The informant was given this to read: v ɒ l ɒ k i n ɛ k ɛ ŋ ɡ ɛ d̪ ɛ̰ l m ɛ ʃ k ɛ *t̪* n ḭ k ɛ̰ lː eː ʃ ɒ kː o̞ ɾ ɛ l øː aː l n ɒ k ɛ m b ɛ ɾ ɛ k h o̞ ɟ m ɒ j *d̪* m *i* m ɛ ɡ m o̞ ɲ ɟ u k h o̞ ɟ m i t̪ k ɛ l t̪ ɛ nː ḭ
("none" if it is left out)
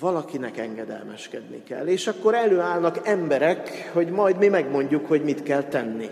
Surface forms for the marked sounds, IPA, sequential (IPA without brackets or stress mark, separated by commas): d̪, d̪, i